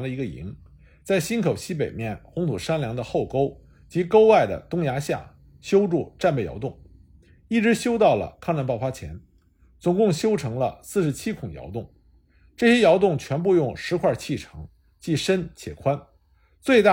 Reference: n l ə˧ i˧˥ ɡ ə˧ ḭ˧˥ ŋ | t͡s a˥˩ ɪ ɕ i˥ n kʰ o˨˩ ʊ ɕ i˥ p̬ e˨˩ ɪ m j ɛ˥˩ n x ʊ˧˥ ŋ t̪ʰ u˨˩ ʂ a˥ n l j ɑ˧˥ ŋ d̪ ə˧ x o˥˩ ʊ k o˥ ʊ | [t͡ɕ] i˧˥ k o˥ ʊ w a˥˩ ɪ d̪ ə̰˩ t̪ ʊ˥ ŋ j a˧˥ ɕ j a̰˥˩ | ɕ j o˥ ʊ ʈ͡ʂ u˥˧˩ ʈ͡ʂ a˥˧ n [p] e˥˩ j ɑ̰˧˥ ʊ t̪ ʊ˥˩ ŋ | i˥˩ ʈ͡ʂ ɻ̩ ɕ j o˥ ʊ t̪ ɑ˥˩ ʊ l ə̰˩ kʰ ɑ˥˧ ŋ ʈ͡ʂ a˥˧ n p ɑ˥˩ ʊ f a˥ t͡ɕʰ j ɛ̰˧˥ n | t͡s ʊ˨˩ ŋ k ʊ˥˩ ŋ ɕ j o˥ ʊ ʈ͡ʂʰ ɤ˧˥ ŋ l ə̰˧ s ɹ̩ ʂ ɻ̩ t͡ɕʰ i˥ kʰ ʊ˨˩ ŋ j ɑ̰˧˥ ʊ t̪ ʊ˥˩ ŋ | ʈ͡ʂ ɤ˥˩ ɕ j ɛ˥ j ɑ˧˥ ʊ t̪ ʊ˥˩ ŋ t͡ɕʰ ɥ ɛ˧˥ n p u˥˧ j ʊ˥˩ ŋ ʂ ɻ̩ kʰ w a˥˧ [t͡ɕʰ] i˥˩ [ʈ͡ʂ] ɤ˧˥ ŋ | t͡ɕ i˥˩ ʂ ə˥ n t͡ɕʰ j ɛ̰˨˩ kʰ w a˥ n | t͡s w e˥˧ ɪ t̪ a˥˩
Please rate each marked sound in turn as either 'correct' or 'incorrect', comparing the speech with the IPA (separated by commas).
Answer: correct, correct, correct, incorrect